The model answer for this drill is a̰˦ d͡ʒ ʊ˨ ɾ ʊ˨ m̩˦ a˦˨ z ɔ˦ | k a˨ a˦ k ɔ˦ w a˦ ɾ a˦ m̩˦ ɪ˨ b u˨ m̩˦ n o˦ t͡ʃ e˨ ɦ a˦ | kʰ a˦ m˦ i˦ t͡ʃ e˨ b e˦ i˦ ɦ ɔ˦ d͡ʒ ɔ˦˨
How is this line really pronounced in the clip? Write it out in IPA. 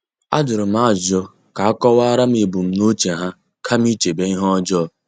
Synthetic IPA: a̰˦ d͡ʒ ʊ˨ ɾ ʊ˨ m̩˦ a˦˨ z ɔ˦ | k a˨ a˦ k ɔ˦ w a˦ ɾ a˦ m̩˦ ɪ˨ b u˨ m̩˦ n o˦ t͡ʃ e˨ ɦ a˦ | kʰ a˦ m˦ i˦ t͡ʃ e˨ b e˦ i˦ ɦ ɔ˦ d͡ʒ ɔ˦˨